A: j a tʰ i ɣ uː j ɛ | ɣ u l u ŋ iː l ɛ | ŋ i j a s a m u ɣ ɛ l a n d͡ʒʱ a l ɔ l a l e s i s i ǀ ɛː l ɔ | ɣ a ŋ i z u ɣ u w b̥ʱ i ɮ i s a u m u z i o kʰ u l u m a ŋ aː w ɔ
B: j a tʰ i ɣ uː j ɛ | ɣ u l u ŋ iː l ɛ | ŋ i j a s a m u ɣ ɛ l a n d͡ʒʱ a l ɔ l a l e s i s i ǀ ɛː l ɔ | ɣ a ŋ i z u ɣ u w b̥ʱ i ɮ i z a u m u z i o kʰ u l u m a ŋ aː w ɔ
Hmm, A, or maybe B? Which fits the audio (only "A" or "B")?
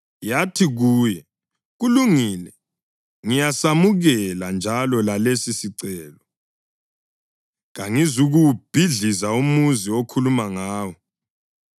B